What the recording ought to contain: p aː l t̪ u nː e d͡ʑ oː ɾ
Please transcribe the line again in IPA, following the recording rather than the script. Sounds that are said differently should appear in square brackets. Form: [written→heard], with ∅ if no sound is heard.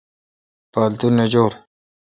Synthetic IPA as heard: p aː l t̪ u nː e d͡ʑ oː ɾ

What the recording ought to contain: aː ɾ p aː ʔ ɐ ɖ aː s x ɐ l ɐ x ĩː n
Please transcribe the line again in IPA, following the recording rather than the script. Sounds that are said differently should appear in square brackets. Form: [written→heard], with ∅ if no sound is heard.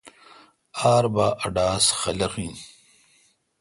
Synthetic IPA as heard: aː ɾ [p→b] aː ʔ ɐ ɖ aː s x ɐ l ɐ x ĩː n

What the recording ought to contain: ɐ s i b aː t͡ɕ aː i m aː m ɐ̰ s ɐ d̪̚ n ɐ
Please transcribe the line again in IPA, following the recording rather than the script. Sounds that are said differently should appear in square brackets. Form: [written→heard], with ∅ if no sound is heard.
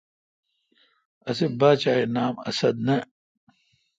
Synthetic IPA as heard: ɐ s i b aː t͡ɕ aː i [m→n] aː m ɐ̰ s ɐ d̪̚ n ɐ

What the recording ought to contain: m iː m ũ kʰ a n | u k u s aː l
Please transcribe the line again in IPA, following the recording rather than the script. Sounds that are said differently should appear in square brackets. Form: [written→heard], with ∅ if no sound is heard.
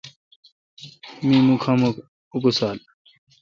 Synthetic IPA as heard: m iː m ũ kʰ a [n→m] | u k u s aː l

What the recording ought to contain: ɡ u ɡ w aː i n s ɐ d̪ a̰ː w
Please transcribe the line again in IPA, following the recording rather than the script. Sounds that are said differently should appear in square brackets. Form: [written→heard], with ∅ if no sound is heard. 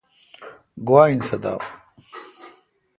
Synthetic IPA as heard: ɡ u [ɡ→∅] w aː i n s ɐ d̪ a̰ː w

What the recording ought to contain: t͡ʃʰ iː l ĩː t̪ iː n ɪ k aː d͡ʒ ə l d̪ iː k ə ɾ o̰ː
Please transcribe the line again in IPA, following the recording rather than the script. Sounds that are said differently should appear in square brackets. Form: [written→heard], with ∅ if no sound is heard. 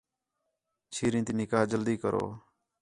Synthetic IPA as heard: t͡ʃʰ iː [l→ɾ] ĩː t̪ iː n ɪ k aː d͡ʒ ə l d̪ iː k ə ɾ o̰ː

